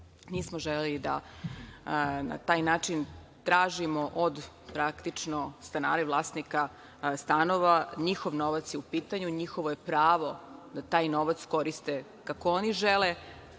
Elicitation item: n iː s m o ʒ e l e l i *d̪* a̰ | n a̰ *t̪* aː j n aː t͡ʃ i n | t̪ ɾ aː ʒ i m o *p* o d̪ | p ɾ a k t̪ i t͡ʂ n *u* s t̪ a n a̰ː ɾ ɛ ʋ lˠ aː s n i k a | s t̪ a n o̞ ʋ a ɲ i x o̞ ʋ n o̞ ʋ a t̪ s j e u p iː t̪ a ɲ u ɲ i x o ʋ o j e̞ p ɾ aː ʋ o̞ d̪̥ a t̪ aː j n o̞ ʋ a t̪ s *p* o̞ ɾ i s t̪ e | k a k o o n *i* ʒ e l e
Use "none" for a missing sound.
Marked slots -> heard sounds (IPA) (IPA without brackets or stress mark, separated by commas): d̪, t̪, ʔ, o, k, i